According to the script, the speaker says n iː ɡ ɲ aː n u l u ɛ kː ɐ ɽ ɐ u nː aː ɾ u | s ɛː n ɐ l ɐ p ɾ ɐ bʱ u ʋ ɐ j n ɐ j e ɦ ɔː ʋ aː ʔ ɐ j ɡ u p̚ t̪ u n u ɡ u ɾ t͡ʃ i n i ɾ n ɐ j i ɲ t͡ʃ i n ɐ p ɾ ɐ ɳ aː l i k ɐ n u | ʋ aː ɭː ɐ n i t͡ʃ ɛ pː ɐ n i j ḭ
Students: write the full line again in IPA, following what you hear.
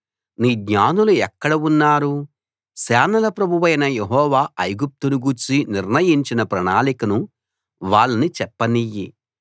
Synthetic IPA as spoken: n iː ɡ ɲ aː n u l u ɛ kː ɐ ɽ ɐ u nː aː ɾ u | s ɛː n ɐ l ɐ p ɾ ɐ bʱ u ʋ ɐ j n ɐ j e ɦ ɔː ʋ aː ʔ ɐ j ɡ u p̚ t̪ u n u ɡ u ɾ t͡ʃ i n i ɾ n ɐ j i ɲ t͡ʃ i n ɐ p ɾ ɐ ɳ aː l i k ɐ n u | ʋ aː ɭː ɐ n i t͡ʃ ɛ pː ɐ n i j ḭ